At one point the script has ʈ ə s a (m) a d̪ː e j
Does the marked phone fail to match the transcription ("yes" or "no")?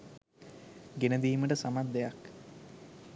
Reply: no